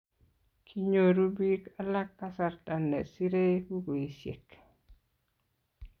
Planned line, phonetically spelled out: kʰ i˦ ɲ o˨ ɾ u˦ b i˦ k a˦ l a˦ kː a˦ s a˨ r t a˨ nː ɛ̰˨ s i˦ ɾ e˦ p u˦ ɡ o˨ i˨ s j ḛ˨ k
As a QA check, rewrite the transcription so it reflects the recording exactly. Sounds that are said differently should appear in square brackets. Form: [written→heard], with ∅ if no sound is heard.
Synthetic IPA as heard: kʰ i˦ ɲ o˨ ɾ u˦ b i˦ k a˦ l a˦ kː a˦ s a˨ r t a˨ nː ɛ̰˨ s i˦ ɾ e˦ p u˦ ɡ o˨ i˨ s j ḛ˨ k